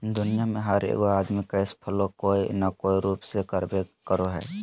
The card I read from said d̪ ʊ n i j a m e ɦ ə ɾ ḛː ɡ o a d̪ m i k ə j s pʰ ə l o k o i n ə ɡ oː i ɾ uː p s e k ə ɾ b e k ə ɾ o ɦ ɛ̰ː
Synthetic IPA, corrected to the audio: d̪ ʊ n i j a m e ɦ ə ɾ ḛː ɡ o a d̪ m i k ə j s pʰ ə l o k o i n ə k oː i ɾ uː p s e k ə ɾ b e k ə ɾ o ɦ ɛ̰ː